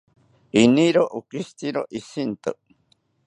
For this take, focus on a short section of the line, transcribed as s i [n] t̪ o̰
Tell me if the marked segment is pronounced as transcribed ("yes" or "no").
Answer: yes